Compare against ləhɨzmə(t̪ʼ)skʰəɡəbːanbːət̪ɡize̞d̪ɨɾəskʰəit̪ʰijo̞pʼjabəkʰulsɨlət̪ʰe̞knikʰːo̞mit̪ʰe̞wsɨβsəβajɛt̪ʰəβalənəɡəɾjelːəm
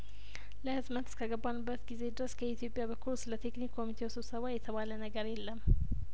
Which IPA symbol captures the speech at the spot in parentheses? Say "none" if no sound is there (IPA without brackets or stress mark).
t̪